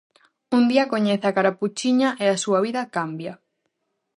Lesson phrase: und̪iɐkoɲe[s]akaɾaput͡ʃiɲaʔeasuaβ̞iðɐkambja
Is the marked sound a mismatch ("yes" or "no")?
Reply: yes